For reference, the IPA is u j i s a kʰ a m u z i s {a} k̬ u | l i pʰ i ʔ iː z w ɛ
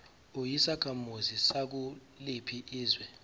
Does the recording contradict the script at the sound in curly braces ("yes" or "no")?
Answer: no